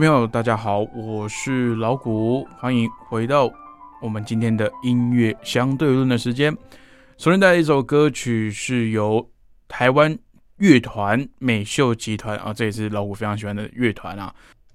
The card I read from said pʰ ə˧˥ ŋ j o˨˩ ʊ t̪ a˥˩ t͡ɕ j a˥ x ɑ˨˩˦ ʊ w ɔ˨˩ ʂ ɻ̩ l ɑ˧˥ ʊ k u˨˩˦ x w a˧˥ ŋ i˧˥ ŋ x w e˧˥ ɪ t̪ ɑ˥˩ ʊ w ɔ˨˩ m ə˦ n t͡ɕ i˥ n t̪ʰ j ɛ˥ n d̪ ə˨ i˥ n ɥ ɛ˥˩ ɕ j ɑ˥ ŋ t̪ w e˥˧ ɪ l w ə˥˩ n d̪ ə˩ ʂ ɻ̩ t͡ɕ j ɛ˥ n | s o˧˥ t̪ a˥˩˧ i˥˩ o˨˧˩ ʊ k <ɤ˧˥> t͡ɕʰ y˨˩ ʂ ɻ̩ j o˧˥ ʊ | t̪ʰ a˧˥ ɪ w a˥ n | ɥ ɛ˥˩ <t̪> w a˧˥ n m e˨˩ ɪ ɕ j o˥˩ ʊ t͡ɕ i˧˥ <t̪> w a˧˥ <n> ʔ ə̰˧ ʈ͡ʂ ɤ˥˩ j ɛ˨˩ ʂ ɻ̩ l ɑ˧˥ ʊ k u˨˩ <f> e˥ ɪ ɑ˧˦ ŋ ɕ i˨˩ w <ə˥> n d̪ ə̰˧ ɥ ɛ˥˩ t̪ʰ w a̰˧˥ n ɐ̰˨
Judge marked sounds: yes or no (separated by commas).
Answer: no, no, no, yes, yes, no